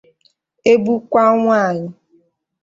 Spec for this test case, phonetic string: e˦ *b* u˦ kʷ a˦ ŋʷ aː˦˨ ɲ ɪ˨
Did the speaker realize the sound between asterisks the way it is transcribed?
yes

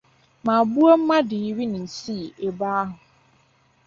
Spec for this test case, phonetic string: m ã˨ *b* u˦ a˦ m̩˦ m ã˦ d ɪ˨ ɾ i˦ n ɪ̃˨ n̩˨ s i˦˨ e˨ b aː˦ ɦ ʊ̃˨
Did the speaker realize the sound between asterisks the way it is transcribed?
yes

